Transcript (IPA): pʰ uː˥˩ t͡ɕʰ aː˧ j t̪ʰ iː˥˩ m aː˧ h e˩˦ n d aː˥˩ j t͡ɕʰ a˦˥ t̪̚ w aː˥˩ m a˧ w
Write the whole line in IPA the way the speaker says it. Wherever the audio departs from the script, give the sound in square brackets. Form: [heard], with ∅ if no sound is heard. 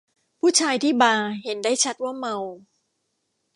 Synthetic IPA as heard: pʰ uː˥˩ t͡ɕʰ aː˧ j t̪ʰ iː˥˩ [b] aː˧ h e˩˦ n d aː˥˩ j t͡ɕʰ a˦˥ t̪̚ w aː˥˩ m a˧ w